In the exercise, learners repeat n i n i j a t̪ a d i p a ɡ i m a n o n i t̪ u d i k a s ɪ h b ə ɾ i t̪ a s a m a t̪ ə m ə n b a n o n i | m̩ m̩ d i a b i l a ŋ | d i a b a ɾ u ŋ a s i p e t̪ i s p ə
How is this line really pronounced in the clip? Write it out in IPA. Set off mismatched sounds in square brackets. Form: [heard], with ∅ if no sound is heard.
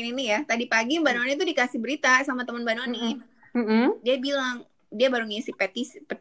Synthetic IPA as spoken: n i n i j a t̪ a d i p a ɡ i [b] a n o n i t̪ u d i k a s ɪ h b ə ɾ i t̪ a s a m a t̪ ə m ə n b a n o n i | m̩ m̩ d i a b i l a ŋ | d i a b a ɾ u ŋ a s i p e t̪ i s p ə